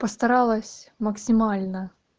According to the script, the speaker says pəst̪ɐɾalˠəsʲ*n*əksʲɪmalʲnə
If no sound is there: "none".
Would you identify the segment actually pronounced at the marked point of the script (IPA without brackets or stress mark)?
m